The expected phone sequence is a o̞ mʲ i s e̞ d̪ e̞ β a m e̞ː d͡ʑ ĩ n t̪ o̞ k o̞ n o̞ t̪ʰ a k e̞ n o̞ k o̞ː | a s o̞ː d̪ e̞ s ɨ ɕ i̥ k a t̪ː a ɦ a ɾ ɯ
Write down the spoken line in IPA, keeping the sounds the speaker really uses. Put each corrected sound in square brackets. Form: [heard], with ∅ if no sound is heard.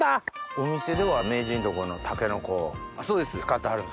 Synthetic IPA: a o̞ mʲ i s e̞ d̪ e̞ β a m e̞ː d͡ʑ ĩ n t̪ o̞ k o̞ n o̞ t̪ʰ a k e̞ n o̞ k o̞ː | a s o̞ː d̪ e̞ s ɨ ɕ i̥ k a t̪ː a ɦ a ɾ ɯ